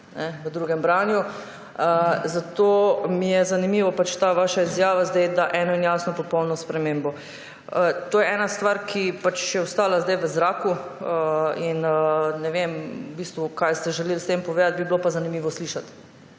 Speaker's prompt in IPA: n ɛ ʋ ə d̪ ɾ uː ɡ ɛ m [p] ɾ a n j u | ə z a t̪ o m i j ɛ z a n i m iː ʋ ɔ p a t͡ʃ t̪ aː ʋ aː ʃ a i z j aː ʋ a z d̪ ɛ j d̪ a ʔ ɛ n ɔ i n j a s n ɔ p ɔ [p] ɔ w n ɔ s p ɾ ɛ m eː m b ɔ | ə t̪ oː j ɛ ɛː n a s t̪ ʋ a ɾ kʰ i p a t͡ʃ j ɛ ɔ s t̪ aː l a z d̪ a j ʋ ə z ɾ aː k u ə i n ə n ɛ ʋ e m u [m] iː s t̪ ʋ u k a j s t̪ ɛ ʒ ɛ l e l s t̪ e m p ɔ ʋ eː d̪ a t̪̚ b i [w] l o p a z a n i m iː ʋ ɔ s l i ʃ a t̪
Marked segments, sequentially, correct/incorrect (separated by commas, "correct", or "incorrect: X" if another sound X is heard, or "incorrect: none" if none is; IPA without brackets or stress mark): incorrect: b, correct, incorrect: b, incorrect: b